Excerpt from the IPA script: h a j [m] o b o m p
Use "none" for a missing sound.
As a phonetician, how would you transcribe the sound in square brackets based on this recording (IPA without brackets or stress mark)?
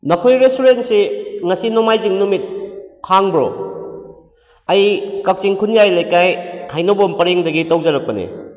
n